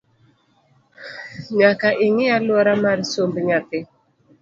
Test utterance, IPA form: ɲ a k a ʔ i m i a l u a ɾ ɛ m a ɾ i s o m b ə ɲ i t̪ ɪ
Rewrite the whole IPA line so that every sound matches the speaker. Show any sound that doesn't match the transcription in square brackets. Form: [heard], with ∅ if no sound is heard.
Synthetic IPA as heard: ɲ a k a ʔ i [ŋ] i a l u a ɾ [a] m a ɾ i s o m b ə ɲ [a] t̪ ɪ